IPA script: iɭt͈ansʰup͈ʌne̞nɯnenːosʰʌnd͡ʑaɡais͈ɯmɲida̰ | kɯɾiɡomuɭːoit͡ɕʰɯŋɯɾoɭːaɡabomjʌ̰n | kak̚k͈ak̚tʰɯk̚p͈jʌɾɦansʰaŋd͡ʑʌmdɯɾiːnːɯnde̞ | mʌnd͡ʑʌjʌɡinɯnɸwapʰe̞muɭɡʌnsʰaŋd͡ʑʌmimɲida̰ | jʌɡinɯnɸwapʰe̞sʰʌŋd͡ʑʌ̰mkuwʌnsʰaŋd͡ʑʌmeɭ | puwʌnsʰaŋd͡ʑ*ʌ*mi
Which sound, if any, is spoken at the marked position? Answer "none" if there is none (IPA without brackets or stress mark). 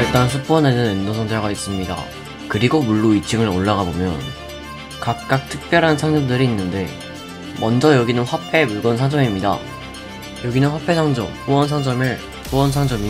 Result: ʌ